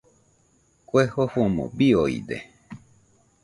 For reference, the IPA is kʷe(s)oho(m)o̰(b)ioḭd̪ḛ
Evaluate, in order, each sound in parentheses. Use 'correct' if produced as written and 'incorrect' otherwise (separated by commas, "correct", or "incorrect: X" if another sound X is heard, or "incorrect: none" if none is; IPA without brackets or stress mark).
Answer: incorrect: h, correct, correct